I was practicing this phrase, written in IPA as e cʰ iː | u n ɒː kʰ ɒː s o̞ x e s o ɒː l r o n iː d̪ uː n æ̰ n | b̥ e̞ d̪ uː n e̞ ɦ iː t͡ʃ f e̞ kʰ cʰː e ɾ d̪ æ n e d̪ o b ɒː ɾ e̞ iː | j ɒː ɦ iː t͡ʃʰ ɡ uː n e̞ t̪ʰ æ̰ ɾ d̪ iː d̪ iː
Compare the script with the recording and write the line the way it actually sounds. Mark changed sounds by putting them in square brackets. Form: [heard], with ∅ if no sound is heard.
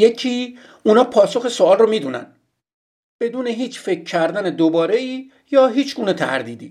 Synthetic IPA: e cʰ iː | u n ɒː [pʰ] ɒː s o̞ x e s o ɒː l r o [m] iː d̪ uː n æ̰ n | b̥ e̞ d̪ uː n e̞ ɦ iː t͡ʃ f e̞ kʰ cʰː [æ] ɾ d̪ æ n e d̪ o b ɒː ɾ e̞ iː | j ɒː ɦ iː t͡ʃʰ ɡ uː n e̞ t̪ʰ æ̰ ɾ d̪ iː d̪ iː